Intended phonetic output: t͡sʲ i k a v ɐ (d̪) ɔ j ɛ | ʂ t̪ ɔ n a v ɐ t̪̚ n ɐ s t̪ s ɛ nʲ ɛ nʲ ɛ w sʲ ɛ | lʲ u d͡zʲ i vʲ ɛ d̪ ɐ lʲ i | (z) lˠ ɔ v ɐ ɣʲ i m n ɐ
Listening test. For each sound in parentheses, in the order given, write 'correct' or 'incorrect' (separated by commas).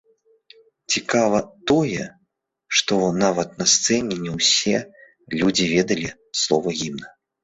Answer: incorrect, incorrect